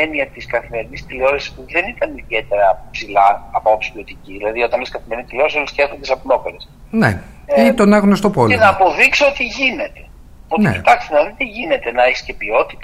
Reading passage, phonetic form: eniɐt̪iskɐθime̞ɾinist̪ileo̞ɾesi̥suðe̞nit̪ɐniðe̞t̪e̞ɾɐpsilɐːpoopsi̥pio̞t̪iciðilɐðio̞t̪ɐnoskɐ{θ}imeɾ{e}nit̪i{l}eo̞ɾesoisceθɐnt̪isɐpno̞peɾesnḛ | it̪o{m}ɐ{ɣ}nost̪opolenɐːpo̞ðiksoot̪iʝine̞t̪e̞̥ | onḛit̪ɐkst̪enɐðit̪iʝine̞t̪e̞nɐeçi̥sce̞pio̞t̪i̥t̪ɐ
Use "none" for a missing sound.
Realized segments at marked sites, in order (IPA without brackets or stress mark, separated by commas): θ, i, l, n, ɣ